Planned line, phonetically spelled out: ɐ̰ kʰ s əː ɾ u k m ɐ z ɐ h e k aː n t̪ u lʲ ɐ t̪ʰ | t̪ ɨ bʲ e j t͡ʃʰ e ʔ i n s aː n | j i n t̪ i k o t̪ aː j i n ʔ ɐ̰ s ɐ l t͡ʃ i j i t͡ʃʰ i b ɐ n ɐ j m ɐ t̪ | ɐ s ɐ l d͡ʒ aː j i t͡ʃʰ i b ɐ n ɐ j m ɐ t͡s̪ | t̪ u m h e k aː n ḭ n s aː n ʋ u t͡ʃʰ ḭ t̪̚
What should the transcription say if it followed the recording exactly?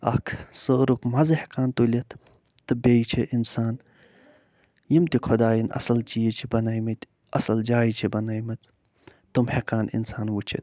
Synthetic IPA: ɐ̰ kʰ s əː ɾ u k m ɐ z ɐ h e k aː n t̪ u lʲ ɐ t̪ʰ | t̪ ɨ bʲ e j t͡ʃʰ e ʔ i n s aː n | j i m t̪ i kʰ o d̪ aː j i n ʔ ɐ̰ s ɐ l t͡ʃ i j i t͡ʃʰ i b ɐ n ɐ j m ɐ t̪ | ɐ s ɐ l d͡ʒ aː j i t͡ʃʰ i b ɐ n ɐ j m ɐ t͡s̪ | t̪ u m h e k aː n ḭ n s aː n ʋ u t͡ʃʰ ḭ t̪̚

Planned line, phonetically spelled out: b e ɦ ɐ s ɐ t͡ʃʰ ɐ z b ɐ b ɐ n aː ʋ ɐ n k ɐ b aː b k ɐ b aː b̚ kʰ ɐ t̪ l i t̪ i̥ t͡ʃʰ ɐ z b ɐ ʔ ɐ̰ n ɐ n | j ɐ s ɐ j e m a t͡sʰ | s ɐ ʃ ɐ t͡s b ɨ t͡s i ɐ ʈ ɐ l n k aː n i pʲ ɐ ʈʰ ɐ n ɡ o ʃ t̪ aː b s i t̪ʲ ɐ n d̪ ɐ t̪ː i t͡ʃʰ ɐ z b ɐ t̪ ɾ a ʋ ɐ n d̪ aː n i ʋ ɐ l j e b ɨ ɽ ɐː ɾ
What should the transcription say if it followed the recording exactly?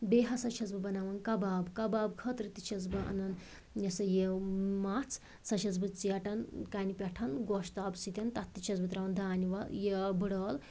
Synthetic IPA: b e ɦ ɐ s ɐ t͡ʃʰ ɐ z b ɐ b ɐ n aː ʋ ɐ n k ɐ b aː b k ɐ b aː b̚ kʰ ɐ t̪ ɾ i t̪ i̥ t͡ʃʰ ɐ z b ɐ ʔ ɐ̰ n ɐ n | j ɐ s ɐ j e m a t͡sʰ | s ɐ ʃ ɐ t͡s b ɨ t͡s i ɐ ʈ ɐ n k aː n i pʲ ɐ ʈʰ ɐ n ɡ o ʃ t̪ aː b s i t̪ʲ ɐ n t̪ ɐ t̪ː i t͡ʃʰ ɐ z b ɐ t̪ ɾ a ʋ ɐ n d̪ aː n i ʋ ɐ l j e b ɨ ɽ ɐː l

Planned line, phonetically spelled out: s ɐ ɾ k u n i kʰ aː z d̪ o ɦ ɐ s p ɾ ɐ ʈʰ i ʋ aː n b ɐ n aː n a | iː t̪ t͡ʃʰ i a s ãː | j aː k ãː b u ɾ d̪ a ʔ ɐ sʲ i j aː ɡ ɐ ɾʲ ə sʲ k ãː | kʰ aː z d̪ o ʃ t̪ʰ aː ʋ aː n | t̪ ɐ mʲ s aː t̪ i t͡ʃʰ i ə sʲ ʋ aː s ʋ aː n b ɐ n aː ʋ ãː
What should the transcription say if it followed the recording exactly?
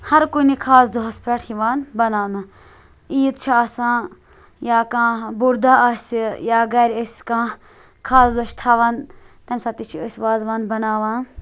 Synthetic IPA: h ɐ ɾ k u n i kʰ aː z d̪ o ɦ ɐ s p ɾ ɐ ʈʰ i ʋ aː n b ɐ n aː n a | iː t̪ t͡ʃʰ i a s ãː | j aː k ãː b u ɾ d̪ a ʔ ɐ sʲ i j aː ɡ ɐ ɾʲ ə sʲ k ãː | kʰ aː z d̪ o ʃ t̪ʰ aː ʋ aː n | t̪ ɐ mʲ s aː t̪ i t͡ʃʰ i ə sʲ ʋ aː z ʋ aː n b ɐ n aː ʋ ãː

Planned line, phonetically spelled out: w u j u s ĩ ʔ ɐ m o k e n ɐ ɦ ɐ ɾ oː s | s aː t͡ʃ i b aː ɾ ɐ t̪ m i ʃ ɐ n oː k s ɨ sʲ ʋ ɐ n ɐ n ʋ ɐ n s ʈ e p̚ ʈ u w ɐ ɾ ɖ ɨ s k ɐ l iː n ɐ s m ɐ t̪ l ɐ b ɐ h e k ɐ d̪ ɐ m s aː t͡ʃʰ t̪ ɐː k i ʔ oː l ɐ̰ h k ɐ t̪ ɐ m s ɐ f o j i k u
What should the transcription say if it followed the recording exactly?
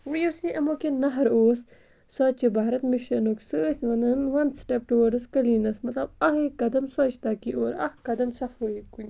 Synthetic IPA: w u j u s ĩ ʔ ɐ m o k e n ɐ ɦ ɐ ɾ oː s | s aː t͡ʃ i b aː ɾ ɐ t̪ m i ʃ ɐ n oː k s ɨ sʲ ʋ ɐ n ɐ n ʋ ɐ n s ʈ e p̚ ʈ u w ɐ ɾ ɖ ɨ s k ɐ l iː n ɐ s m ɐ t̪ l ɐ b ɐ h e k ɐ d̪ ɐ m s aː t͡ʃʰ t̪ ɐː k i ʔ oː ɾ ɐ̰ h k ɐ d̪ ɐ m s ɐ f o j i k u

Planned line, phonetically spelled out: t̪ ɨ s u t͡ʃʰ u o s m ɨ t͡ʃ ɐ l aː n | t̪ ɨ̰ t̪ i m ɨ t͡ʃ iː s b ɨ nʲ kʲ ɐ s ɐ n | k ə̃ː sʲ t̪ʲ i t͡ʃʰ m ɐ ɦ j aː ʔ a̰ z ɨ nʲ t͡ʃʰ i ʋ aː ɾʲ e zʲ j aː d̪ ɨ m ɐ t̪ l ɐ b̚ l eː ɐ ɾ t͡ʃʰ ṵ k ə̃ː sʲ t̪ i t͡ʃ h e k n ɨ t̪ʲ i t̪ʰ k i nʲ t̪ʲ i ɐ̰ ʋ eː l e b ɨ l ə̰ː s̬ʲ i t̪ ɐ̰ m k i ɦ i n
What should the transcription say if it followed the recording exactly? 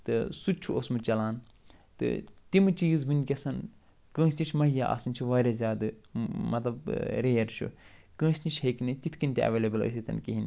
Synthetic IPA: t̪ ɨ s u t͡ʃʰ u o s m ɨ t͡ʃ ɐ l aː n | t̪ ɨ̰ t̪ i m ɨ t͡ʃ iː z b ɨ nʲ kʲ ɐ s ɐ n | k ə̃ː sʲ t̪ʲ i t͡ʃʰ m ɐ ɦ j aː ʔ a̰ s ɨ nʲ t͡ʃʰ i ʋ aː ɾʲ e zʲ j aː d̪ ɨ m ɐ t̪ l ɐ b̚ ɾ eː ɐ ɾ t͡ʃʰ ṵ k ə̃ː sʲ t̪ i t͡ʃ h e k n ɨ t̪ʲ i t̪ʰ k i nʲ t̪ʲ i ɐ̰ ʋ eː l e b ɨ l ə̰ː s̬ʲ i t̪ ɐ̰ n k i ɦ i n

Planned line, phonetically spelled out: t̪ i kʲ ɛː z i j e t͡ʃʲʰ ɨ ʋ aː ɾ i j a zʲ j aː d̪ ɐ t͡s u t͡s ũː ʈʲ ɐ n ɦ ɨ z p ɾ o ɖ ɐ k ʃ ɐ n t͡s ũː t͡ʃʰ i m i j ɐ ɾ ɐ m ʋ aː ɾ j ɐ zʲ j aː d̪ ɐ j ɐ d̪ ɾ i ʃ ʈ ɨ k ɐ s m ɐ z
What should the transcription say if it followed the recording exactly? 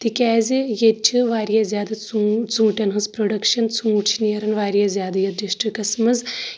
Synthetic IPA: t̪ i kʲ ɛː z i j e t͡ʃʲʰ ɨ ʋ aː ɾ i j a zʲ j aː d̪ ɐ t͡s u t͡s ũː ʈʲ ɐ n ɦ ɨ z p ɾ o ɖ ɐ k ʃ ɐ n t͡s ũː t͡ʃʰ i n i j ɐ ɾ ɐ n ʋ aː ɾ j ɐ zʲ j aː d̪ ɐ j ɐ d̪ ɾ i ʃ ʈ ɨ k ɐ s m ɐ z

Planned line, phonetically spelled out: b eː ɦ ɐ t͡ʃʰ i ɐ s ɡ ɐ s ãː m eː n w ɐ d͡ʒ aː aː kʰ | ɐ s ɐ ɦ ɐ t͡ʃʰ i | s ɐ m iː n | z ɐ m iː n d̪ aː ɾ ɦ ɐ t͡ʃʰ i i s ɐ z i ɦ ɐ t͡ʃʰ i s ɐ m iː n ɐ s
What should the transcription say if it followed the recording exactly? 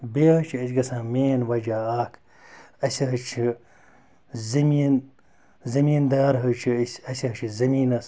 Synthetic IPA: b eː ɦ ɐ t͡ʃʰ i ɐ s ɡ ɐ s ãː m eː n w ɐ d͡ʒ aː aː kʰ | ɐ s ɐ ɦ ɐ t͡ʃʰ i | z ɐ m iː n | z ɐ m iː n d̪ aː ɾ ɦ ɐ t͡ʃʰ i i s ɐ s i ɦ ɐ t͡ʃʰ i z ɐ m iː n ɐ s

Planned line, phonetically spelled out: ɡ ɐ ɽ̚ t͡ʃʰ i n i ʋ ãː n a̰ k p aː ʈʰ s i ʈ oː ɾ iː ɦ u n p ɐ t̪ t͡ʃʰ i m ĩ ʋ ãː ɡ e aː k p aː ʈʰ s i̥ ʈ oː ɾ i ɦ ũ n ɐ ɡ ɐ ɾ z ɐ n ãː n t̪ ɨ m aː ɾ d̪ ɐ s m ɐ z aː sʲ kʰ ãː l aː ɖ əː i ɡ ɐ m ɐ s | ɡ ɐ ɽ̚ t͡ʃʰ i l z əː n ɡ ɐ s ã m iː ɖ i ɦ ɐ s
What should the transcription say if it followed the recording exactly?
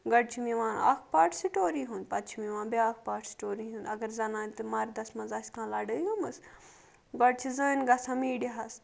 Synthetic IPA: ɡ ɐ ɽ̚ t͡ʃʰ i m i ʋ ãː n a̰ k p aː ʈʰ s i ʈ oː ɾ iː ɦ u n p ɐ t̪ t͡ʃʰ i m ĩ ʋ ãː b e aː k p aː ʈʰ s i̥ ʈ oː ɾ i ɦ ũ n ɐ ɡ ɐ ɾ z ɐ n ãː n t̪ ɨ m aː ɾ d̪ ɐ s m ɐ z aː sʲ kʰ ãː l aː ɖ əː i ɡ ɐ m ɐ s | ɡ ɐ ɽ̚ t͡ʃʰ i z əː n ɡ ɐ s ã m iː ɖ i ɦ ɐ s

